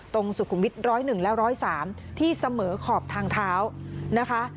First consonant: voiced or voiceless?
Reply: voiceless